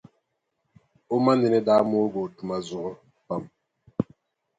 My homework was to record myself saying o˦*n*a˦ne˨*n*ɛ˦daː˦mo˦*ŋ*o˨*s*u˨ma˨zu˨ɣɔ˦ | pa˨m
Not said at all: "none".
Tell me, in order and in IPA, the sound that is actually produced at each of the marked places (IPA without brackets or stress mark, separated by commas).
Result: m, n, ɡ, t